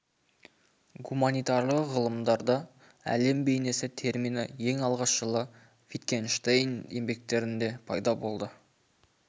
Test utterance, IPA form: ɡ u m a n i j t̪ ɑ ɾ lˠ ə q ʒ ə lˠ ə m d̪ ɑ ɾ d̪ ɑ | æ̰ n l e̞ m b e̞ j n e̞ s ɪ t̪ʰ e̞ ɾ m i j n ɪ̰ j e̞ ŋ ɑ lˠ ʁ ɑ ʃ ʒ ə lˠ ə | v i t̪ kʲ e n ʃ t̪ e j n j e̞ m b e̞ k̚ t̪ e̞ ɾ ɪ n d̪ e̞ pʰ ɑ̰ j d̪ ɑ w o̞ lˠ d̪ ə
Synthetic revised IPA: ɡ u m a n i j t̪ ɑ ɾ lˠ ə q ʁ ə lˠ ə m d̪ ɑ ɾ d̪ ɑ | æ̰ l e̞ m b e̞ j n e̞ s ɪ t̪ʰ e̞ ɾ m i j n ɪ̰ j e̞ ŋ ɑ lˠ ʁ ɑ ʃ ʒ ə lˠ ə | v i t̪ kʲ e n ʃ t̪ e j n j e̞ m b e̞ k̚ t̪ e̞ ɾ ɪ n d̪ e̞ pʰ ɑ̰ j d̪ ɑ b o̞ lˠ d̪ ə